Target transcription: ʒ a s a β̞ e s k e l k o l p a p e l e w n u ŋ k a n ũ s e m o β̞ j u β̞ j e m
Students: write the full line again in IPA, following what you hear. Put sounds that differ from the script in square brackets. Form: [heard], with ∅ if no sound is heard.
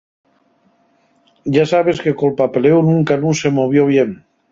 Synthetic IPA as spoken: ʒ a s a β̞ e s k e [∅] k o l p a p e l e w n u ŋ k a n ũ s e m o β̞ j [o] β̞ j e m